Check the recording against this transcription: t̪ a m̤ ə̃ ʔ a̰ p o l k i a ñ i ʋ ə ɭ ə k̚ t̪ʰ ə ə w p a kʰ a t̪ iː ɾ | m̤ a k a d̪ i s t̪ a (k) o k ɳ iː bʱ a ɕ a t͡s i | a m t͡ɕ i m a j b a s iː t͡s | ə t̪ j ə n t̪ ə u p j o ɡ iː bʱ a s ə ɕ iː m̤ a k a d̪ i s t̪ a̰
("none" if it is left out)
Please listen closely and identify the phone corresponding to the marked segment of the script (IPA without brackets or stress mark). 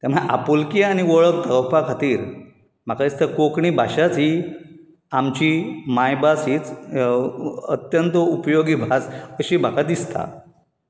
k